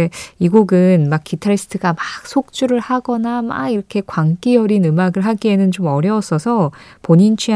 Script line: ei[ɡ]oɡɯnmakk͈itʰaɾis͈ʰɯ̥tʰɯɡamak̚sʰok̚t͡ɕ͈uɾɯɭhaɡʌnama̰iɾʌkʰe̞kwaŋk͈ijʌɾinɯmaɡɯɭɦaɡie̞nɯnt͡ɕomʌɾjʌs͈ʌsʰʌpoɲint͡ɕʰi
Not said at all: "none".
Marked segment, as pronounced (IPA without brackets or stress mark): ɡ